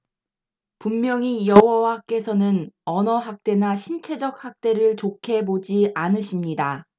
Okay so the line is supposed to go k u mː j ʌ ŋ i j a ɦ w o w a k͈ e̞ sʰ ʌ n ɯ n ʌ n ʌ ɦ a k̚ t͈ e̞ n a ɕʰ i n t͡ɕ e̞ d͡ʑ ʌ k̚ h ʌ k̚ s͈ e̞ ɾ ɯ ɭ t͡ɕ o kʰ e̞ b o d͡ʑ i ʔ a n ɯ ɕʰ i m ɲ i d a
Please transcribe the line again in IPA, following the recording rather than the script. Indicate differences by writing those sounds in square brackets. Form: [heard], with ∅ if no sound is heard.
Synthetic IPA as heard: [p] u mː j ʌ ŋ i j [ʌ] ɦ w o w a k͈ e̞ sʰ ʌ n ɯ n ʌ n ʌ ɦ a k̚ t͈ e̞ n a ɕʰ i n [t͡ɕʰ] e̞ d͡ʑ ʌ k̚ h [a] k̚ [t͈] e̞ ɾ ɯ ɭ t͡ɕ o kʰ e̞ b o d͡ʑ i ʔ a n ɯ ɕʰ i m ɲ i d a